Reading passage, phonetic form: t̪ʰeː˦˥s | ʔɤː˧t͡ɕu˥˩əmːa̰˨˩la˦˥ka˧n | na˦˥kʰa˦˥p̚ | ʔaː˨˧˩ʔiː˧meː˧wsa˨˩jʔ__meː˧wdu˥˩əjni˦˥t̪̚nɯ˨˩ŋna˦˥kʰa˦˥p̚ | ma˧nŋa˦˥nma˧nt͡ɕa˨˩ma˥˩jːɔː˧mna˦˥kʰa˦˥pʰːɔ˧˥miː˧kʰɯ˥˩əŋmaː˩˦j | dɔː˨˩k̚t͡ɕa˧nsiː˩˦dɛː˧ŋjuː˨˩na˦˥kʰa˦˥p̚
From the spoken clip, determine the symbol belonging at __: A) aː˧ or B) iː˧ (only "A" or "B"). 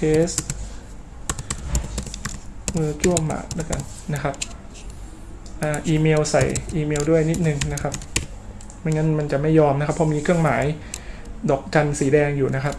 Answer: B